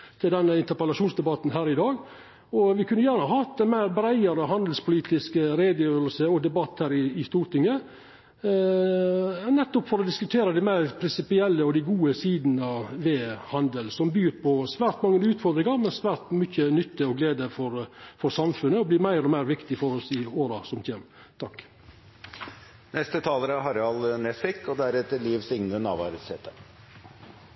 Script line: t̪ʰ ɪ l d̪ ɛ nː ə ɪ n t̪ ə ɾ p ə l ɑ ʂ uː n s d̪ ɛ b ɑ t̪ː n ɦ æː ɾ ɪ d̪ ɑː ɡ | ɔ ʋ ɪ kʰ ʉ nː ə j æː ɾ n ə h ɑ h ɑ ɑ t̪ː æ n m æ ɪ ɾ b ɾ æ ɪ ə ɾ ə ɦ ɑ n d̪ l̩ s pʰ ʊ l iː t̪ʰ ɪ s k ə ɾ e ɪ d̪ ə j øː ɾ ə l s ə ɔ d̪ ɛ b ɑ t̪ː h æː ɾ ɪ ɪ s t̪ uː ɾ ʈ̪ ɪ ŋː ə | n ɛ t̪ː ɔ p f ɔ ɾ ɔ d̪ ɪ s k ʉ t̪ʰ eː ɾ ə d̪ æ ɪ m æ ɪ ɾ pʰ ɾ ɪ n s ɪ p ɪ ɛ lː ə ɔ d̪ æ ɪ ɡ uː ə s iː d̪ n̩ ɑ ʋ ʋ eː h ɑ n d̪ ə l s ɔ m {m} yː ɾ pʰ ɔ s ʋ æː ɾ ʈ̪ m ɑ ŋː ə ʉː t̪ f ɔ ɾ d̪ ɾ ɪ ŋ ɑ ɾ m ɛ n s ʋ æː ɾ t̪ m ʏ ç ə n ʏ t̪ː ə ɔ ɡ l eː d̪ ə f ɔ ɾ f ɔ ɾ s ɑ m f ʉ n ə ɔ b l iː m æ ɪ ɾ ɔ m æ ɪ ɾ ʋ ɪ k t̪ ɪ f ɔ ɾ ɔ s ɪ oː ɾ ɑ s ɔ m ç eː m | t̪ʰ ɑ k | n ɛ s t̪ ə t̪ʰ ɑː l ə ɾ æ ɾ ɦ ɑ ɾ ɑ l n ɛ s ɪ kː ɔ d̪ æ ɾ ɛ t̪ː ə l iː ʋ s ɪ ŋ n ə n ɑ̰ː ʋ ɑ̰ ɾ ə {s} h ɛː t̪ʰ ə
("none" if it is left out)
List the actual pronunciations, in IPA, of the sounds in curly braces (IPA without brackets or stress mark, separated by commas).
b, s